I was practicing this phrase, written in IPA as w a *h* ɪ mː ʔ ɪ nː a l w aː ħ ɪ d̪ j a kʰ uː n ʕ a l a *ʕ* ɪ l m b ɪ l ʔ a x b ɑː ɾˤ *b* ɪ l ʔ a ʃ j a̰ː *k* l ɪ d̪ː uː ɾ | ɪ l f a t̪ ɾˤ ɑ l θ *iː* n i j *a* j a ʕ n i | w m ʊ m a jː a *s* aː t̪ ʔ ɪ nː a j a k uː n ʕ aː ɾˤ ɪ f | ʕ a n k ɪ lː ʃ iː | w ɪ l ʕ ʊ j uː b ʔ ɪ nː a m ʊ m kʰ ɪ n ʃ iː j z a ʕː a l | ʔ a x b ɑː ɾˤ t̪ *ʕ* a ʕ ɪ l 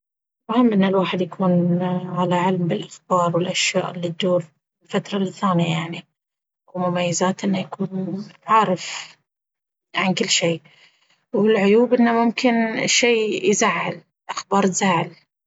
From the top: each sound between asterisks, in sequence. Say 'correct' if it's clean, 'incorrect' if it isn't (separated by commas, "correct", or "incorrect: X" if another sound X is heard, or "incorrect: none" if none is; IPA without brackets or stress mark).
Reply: correct, correct, incorrect: w, incorrect: ʔ, incorrect: aː, correct, incorrect: z, incorrect: z